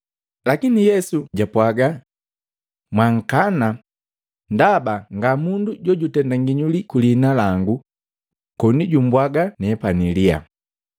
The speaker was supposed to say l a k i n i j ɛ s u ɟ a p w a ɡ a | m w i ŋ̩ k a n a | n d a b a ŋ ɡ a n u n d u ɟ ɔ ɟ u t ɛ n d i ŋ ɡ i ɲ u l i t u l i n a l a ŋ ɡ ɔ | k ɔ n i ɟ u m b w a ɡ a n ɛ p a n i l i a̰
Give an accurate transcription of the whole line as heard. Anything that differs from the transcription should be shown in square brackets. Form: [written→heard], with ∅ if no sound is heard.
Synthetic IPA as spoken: l a k i n i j ɛ s u ɟ a p w a ɡ a | m w [i→a] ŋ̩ k a n a | n d a b a ŋ ɡ a [n→m] u n d u ɟ ɔ ɟ u t ɛ n d [i→a] ŋ ɡ i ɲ u l i [t→k] u l i n a l a ŋ ɡ [ɔ→u] | k ɔ n i ɟ u m b w a ɡ a n ɛ p a n i l i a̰